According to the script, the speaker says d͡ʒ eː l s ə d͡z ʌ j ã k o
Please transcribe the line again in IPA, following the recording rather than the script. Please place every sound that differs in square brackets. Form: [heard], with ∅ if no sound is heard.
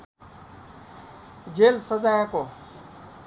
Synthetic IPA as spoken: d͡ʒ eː l s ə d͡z [a] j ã k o